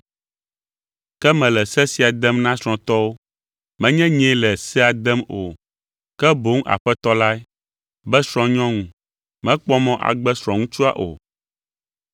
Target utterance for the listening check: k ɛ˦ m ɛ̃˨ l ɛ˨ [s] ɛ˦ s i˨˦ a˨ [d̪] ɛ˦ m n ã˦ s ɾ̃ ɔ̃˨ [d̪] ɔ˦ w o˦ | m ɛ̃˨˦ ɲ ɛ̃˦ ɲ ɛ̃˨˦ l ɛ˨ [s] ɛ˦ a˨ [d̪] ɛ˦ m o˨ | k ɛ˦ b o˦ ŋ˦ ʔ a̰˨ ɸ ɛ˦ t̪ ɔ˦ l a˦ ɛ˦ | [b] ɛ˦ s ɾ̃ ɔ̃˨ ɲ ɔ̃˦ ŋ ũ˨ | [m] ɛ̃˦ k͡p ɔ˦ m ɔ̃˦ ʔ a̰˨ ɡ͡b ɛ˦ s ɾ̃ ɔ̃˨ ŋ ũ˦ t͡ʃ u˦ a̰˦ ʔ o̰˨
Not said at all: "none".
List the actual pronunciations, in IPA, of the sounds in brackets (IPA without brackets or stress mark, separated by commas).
s, d̪, t̪, s, d̪, b, m